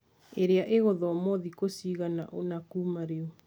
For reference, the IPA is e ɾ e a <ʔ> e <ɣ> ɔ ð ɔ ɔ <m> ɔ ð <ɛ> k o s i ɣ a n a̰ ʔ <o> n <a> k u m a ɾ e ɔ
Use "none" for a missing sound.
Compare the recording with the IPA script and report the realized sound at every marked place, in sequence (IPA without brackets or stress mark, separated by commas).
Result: ʔ, ɣ, m, i, o, a